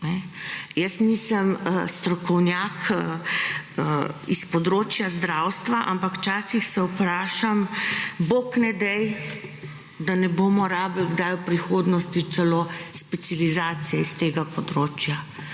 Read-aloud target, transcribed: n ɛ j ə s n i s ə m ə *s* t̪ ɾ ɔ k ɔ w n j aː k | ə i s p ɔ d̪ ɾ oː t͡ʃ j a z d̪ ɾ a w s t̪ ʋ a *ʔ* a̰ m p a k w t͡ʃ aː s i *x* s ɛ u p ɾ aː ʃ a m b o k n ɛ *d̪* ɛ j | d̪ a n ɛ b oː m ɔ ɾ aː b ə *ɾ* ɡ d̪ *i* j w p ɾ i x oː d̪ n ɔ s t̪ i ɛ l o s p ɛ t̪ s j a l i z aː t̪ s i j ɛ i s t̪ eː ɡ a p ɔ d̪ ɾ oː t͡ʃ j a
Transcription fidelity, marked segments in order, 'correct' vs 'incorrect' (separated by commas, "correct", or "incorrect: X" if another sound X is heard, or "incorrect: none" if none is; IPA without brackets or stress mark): correct, correct, correct, correct, incorrect: l, incorrect: a